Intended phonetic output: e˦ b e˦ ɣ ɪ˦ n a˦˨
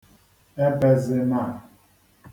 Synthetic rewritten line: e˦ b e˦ z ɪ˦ m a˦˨